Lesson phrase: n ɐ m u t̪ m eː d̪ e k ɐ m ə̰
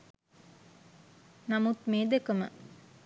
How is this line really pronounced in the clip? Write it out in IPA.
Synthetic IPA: n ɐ m u t̪ m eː d̪ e k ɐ m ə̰